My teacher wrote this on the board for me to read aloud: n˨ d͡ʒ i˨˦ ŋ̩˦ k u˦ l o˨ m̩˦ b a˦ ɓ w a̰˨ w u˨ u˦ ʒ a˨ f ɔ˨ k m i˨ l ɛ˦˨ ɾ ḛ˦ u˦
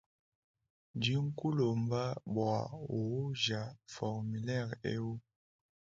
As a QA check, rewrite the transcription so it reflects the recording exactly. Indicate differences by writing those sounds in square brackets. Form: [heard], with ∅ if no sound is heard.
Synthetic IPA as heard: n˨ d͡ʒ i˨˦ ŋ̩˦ k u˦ l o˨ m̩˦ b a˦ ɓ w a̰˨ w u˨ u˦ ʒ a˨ f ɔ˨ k m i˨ l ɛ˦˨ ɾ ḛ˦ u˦

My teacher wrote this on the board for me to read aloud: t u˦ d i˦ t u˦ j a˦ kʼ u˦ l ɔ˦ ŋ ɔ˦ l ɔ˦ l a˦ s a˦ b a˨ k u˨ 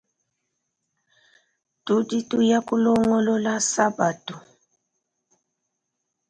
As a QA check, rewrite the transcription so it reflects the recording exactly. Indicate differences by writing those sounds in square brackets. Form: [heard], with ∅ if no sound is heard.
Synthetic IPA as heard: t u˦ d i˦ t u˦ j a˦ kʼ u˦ l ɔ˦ ŋ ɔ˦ l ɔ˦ l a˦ s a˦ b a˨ [t] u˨

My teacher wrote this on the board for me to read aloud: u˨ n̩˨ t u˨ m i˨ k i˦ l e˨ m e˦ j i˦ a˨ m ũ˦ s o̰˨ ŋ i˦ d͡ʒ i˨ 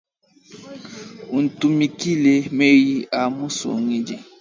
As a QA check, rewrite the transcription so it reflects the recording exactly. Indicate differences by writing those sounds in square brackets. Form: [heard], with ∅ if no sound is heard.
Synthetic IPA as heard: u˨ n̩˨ t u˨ m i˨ k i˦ l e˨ m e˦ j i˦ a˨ m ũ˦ s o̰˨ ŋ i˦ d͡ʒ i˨

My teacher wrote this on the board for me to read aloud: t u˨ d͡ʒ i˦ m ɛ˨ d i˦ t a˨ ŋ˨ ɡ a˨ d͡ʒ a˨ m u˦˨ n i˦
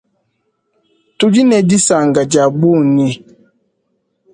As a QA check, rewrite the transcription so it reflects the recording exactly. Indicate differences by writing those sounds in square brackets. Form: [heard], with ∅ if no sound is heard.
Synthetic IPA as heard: t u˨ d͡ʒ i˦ [n] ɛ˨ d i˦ [s] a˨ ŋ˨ ɡ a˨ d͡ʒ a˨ [b] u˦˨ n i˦

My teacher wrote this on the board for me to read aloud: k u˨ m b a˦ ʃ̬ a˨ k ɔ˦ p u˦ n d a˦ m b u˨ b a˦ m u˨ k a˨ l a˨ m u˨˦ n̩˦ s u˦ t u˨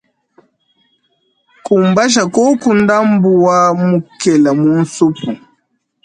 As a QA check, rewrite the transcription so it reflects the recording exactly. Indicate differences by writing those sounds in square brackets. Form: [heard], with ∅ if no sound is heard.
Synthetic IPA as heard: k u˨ m b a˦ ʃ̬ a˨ k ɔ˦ [k] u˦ n d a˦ m b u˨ [w] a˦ m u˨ k [ɛ˨] l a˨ m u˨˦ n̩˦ s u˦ [p] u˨

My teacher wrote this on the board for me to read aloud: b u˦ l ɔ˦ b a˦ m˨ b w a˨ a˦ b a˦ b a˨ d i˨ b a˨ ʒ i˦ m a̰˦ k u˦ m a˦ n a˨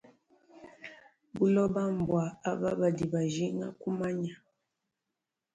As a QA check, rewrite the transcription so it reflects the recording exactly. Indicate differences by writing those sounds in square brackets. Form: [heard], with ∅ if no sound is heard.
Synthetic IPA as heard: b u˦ l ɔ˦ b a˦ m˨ b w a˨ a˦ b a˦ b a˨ d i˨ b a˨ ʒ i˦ [ŋ] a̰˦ k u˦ m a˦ [ɲ] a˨

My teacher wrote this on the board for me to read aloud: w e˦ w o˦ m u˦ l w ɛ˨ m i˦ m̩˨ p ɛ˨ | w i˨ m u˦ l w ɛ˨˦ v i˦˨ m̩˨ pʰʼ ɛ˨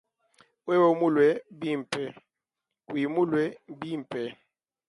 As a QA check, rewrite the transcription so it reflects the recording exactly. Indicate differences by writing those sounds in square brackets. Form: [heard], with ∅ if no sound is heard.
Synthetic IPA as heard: w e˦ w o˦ m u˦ l w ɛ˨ [b] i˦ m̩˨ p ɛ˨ | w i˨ m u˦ l w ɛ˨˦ [b] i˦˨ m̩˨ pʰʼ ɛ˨

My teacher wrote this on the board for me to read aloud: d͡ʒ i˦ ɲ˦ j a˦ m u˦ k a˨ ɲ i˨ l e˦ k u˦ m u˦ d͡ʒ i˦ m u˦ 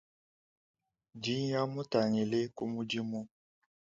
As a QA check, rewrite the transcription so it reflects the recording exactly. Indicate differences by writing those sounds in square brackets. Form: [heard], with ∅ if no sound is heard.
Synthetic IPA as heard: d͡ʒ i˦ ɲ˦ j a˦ m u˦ [t] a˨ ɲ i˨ l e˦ k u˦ m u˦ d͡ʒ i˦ m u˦

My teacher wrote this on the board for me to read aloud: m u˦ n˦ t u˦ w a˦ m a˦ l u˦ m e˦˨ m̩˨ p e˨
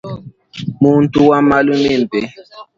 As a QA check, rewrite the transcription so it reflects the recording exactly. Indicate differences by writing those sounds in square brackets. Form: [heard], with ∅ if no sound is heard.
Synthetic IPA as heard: m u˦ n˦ t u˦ w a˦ m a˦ l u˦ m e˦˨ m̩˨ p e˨

